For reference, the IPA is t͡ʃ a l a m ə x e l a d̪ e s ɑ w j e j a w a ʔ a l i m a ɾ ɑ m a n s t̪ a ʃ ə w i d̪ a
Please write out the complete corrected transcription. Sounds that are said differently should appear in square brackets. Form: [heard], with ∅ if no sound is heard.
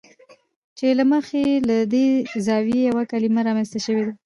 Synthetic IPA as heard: t͡ʃ [e] l a m ə x e l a d̪ e [z] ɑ w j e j a w a [k] a l i m a ɾ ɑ m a n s t̪ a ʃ ə w [e] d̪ a